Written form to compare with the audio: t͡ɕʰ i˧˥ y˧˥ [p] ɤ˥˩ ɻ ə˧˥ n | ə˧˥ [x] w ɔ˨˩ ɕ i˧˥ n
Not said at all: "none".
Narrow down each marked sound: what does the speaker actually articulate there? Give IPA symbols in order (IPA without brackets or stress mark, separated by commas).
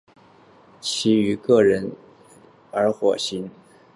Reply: k, x